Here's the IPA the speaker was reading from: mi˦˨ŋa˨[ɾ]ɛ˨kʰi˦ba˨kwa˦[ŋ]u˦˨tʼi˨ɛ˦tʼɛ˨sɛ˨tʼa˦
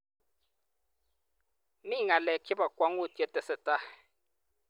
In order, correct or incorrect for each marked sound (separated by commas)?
incorrect, correct